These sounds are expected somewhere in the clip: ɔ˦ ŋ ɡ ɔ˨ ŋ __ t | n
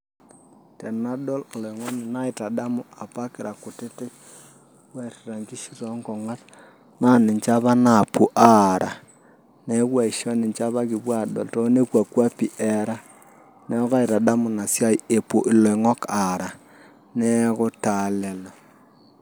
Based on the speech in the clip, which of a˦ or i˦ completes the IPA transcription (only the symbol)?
a˦